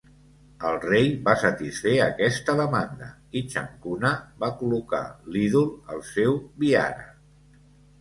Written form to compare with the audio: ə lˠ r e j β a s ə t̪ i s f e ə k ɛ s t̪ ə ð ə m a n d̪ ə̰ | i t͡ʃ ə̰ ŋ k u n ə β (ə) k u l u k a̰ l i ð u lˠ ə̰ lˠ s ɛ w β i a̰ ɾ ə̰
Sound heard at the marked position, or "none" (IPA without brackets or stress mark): a